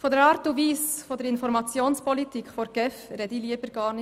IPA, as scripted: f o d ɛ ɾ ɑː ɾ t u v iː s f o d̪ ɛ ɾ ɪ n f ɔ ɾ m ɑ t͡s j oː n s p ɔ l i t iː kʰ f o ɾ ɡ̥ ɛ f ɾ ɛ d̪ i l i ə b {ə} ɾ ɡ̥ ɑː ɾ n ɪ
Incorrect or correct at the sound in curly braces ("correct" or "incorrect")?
correct